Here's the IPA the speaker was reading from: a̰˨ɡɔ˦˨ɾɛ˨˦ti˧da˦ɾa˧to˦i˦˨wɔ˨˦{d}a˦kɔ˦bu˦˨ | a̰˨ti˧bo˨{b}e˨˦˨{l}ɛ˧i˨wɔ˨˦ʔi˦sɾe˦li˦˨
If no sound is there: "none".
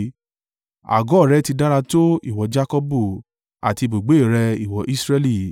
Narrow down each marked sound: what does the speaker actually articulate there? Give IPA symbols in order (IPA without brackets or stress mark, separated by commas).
d͡ʒ, ɡ͡b, ɾ